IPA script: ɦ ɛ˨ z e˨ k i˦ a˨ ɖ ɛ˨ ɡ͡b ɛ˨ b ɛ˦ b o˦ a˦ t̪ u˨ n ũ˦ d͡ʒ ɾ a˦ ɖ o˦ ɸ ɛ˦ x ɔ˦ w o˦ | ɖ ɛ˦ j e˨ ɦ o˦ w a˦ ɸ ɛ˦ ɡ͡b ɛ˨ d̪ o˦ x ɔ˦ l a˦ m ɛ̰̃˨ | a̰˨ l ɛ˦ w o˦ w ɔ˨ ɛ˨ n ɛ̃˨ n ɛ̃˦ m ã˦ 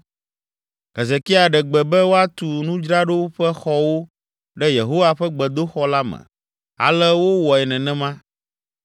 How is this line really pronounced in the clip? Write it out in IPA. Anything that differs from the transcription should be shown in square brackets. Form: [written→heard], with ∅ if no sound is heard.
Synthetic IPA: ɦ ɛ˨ z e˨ k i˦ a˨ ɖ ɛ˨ ɡ͡b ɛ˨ b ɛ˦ [b→w] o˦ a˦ t̪ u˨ n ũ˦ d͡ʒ ɾ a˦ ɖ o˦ ɸ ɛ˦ x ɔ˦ w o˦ | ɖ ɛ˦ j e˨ ɦ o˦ w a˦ ɸ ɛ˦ ɡ͡b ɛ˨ d̪ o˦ x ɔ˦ l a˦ m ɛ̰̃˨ | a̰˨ l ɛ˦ w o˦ w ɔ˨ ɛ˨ n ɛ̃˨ n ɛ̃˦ m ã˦